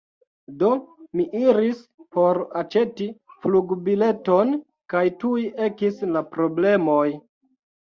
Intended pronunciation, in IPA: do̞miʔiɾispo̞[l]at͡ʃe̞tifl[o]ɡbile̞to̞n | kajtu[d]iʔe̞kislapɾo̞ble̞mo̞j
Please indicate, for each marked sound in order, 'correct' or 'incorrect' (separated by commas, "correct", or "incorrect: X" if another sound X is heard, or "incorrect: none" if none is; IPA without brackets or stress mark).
incorrect: ɾ, incorrect: u, incorrect: none